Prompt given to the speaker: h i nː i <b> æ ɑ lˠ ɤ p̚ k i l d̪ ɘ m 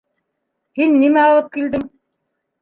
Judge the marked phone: incorrect: m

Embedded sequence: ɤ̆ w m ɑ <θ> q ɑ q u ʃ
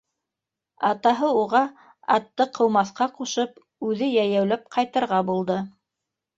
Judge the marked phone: correct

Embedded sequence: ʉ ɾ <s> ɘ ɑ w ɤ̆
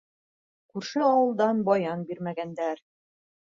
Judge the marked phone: incorrect: ʃ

